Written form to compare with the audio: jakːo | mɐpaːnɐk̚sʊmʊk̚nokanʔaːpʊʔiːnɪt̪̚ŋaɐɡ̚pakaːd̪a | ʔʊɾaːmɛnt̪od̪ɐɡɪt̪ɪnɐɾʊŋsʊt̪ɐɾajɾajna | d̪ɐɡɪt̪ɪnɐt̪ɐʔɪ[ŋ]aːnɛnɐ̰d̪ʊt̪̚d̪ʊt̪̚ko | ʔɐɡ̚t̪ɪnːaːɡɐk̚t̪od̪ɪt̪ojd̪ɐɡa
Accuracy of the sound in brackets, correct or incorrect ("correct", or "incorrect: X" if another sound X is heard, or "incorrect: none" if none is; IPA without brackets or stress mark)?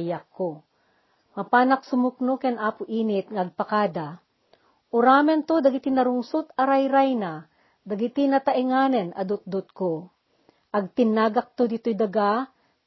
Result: correct